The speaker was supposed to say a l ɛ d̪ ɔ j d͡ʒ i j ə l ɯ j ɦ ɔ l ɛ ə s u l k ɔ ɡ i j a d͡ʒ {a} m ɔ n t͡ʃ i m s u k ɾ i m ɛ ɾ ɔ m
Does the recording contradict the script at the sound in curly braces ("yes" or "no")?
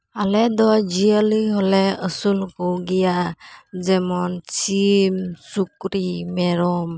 yes